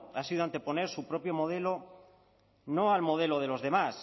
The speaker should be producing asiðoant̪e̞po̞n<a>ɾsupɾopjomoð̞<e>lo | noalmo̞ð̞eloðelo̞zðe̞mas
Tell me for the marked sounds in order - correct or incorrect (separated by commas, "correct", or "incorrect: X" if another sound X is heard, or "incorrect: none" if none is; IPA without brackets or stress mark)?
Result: incorrect: e, correct